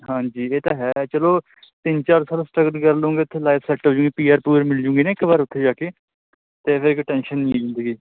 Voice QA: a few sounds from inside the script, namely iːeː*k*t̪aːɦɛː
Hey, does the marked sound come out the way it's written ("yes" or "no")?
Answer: no